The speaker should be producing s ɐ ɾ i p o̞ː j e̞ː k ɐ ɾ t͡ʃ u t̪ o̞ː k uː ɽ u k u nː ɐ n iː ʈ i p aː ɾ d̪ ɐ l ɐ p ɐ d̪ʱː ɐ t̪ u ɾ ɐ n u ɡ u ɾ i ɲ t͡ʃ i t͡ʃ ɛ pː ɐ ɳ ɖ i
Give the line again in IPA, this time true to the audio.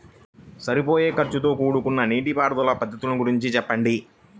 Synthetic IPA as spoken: s ɐ ɾ i p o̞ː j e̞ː k ɐ ɾ t͡ʃ u t̪ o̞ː k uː ɽ u k u nː ɐ n iː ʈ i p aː ɾ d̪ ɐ l ɐ p ɐ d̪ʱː ɐ t̪ u l ɐ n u ɡ u ɾ i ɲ t͡ʃ i t͡ʃ ɛ pː ɐ ɳ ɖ i